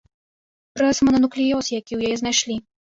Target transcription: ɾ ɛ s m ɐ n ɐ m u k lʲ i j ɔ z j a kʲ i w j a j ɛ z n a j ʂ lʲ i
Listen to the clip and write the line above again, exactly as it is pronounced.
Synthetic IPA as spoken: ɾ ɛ s m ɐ n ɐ n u k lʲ i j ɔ s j a kʲ i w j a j ɛ z n a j ʂ lʲ i